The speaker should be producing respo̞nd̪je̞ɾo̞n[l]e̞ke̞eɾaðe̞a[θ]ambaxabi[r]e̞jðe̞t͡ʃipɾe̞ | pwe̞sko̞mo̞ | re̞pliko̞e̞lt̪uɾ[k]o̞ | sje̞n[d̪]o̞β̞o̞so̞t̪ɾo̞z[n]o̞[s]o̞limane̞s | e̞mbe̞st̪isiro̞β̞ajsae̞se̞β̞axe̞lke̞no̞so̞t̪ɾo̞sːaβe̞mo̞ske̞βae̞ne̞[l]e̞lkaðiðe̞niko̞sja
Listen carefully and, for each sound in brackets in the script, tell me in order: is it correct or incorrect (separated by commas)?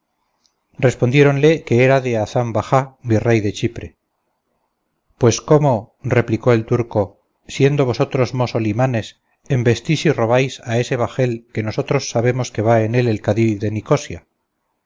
correct, correct, correct, correct, correct, incorrect, correct, correct